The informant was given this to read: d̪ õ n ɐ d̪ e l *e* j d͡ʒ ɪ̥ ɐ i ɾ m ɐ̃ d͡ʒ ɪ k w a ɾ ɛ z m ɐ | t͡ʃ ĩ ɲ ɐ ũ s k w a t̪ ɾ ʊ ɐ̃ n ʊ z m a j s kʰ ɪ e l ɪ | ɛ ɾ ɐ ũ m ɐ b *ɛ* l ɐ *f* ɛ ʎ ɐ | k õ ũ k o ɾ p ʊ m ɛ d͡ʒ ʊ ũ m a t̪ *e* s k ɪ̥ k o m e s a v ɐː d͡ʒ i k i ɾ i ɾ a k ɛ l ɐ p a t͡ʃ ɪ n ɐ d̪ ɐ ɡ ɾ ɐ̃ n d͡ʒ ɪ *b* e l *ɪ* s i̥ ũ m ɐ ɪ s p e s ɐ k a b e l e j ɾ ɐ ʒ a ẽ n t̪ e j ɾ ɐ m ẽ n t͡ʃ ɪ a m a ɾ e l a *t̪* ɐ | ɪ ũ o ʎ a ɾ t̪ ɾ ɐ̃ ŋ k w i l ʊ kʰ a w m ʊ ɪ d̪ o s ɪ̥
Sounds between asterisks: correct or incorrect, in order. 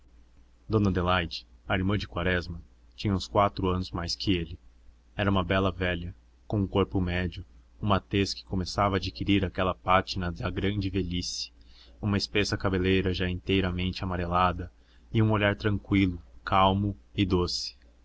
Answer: incorrect, correct, incorrect, correct, incorrect, incorrect, incorrect

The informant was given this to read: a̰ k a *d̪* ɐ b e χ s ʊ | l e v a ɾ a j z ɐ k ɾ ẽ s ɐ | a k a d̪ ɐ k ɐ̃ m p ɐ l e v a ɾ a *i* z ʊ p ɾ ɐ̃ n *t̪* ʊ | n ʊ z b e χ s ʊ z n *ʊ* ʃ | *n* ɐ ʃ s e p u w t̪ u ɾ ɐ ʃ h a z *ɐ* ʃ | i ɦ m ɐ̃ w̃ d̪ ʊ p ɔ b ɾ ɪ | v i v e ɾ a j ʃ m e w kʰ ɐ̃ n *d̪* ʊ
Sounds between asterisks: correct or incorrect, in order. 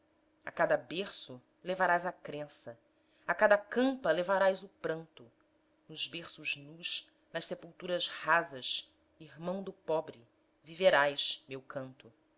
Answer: correct, incorrect, correct, incorrect, correct, correct, incorrect

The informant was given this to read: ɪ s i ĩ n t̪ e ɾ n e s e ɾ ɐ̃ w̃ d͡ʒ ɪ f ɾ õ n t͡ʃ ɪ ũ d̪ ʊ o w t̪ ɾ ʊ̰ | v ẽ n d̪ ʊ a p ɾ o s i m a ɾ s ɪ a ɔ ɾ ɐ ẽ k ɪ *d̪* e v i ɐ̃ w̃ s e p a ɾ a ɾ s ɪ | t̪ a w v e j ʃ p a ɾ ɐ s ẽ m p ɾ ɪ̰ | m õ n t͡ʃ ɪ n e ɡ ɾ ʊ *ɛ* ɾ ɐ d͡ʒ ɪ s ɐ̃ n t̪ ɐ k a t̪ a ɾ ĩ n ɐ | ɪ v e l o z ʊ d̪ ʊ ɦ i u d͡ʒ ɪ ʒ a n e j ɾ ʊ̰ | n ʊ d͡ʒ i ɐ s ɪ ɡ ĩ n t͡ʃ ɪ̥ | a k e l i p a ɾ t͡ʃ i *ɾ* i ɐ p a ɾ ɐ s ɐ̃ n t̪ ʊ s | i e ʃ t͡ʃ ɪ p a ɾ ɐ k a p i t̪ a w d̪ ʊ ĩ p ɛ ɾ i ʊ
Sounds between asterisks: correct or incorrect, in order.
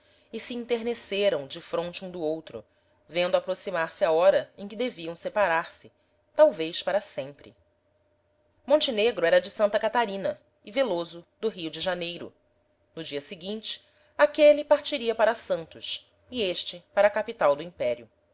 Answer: correct, correct, correct

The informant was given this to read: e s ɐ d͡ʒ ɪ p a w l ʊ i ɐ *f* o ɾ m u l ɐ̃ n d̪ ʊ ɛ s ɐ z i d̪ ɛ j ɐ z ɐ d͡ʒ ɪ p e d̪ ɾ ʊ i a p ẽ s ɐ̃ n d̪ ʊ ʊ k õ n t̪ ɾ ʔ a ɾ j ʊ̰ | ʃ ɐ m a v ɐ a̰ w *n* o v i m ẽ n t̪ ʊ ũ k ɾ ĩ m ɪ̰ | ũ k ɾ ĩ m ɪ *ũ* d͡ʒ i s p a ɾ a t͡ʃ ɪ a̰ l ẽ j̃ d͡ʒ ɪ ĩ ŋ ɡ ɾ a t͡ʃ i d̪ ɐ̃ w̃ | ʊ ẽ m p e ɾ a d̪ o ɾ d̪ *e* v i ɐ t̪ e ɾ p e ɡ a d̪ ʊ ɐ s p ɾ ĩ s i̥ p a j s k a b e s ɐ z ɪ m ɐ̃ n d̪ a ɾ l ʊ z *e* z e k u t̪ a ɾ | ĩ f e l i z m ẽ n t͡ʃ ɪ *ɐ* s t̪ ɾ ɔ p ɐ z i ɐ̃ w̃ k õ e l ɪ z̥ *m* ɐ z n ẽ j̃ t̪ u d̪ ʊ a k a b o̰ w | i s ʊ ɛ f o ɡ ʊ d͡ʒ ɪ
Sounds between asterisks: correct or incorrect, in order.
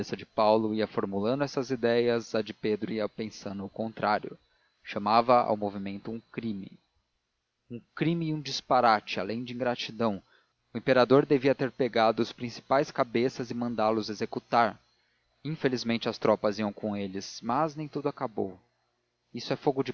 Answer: correct, incorrect, correct, correct, correct, correct, correct

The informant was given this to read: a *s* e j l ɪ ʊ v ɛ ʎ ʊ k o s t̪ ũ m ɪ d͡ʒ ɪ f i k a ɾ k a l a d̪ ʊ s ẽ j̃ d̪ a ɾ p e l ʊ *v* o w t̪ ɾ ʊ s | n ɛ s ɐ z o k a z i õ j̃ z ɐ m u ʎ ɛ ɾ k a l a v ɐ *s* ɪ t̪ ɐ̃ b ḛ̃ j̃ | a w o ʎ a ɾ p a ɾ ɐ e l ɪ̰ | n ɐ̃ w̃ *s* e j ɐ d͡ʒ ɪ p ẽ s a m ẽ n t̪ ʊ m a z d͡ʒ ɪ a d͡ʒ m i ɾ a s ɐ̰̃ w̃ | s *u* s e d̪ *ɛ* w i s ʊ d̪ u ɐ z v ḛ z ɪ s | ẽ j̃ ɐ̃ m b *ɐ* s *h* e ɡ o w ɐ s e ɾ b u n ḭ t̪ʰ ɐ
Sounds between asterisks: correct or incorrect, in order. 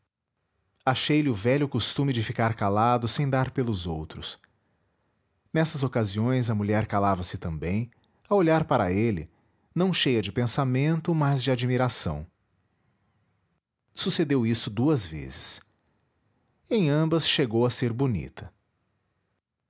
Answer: incorrect, incorrect, correct, incorrect, correct, incorrect, correct, incorrect

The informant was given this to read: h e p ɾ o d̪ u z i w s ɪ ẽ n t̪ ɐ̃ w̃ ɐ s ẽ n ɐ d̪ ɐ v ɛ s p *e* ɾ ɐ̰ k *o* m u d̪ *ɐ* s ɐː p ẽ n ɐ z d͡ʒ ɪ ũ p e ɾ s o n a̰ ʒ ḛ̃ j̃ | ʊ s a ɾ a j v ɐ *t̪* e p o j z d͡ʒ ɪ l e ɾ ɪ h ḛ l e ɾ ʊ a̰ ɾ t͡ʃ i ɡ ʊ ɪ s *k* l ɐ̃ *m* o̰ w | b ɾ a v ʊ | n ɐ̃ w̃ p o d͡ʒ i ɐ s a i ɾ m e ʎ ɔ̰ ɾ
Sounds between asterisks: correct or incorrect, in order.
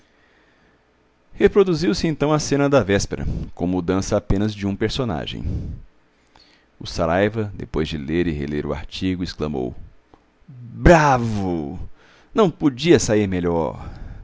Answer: correct, incorrect, incorrect, incorrect, correct, correct

